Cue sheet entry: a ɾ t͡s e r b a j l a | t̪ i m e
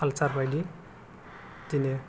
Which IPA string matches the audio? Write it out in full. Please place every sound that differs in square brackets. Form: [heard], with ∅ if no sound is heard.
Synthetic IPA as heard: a [l] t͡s [a] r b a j l [i] | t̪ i [n] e